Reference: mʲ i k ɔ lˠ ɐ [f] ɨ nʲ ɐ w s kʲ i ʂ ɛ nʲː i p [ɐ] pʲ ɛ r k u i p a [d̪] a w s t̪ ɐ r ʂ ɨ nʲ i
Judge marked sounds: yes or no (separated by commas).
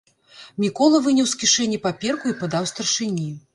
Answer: no, no, yes